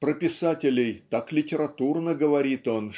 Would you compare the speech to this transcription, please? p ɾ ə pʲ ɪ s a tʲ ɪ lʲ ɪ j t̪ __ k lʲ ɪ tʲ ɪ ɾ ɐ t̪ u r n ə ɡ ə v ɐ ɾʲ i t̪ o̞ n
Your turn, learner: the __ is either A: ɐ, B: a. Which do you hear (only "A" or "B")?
B